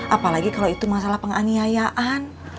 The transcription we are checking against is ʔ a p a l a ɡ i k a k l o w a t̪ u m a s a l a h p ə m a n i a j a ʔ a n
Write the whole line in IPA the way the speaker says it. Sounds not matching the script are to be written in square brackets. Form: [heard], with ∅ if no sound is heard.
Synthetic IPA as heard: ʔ a p a l a ɡ i k a [∅] l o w [i] t̪ u m a s a l a h p ə [ŋ] a n i a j a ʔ a n

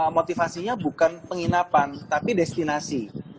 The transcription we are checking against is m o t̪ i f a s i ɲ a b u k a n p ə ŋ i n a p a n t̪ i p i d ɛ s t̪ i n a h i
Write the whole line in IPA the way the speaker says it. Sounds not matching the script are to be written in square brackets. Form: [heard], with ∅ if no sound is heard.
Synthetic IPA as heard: m o t̪ i f a s i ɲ a b u k a n p ə ŋ i n a p a n t̪ [a] p i d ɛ s t̪ i n a [s] i

